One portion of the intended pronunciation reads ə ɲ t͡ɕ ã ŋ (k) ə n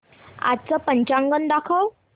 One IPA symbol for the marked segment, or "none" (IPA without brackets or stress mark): ɡ